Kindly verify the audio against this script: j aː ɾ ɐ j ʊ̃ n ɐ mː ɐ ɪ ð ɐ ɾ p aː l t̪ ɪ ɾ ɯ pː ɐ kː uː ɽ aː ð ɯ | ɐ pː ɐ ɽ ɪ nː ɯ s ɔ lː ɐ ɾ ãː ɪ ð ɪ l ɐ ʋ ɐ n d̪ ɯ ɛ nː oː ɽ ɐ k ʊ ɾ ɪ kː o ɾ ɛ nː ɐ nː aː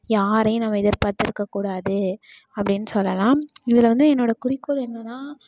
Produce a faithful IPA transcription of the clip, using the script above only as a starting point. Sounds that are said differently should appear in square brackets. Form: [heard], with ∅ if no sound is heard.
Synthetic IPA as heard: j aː ɾ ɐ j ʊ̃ n ɐ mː ɐ ɪ ð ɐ ɾ p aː [ɾ] t̪ ɪ ɾ ɯ [kː] ɐ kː uː ɽ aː ð ɯ | ɐ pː ɐ ɽ ɪ nː ɯ s ɔ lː ɐ [l] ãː ɪ ð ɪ l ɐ ʋ ɐ n d̪ ɯ ɛ nː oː ɽ ɐ k ʊ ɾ ɪ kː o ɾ ɛ nː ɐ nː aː